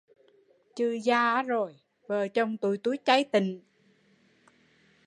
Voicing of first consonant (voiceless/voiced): voiceless